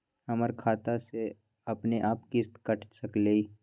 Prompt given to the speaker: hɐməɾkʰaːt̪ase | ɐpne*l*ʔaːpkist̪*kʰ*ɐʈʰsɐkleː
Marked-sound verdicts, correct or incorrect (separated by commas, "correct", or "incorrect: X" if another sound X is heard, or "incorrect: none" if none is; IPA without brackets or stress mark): incorrect: none, incorrect: k